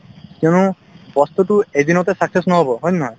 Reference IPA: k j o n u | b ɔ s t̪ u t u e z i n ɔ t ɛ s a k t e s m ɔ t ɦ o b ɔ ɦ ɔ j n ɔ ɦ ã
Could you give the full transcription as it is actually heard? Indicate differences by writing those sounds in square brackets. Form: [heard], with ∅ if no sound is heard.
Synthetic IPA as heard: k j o n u | b ɔ s t̪ u t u e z i n ɔ t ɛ s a k [s] e s [n] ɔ [∅] ɦ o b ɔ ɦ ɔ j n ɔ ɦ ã